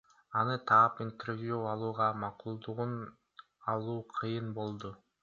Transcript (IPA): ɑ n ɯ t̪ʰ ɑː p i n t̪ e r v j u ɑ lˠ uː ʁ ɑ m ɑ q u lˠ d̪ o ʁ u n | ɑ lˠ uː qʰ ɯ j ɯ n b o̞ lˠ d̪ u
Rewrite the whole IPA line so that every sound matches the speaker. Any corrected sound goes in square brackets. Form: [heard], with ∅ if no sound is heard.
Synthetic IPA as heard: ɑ n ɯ t̪ʰ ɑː p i n t̪ e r v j u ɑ lˠ uː ʁ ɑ m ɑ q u lˠ d̪ [u] ʁ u n | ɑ lˠ uː qʰ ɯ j ɯ n b o̞ lˠ d̪ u